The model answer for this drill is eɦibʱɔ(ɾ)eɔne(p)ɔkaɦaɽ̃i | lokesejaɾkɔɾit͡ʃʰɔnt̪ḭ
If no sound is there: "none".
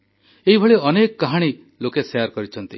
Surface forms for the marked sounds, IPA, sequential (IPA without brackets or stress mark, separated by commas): ɭ, k